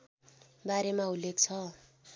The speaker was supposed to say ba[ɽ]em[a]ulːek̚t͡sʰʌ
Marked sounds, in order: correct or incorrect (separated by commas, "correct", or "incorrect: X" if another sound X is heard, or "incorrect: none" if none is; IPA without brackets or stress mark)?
incorrect: ɾ, correct